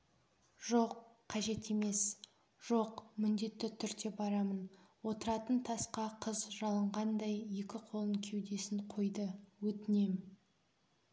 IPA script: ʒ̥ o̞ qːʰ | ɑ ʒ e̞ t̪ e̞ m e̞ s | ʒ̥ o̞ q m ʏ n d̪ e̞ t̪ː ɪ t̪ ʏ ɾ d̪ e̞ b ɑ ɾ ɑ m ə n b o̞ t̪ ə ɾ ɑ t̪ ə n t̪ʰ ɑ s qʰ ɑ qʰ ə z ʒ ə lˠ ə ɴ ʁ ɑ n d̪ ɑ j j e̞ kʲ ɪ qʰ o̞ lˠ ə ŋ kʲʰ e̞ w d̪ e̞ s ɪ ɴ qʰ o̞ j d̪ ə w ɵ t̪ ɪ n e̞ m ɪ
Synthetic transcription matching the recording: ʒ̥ o̞ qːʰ | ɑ ʒ e̞ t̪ e̞ m e̞ s | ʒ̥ o̞ q m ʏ n d̪ e̞ t̪ː ɪ t̪ʰ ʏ ɾ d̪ e̞ b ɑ ɾ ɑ m ə n w o̞ t̪ ə ɾ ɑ t̪ ə n t̪ʰ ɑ s q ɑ qʰ ə z ʒ ɑ lˠ ə ɴ ʁ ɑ n d̪ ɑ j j e̞ kʲ ɪ qʰ o̞ lˠ ə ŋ kʲʰ e̞ w d̪ e̞ s ɪ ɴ qʰ o̞ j d̪ ə w ɵ t̪ ɪ n e̞ m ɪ